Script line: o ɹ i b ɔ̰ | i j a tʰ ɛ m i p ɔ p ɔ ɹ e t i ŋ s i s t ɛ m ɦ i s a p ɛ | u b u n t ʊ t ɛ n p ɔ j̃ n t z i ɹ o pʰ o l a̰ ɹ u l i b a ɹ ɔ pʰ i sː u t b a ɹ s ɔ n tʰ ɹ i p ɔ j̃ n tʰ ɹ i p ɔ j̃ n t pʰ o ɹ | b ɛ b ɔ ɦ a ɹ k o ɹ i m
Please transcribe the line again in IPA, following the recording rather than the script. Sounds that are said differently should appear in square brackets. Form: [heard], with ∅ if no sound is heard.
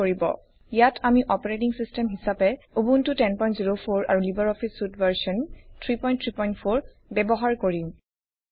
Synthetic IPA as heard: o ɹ i b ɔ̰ | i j a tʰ [a] m i [ʔ] ɔ p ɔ ɹ e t i ŋ s i s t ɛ m ɦ i s a p ɛ | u b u n t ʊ t ɛ n p ɔ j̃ n t z i ɹ o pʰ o [ɹ] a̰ ɹ u l i b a ɹ ɔ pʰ i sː u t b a ɹ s ɔ n tʰ ɹ i p ɔ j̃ n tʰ ɹ i p ɔ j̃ n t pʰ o ɹ | b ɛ b ɔ ɦ a ɹ k o ɹ i m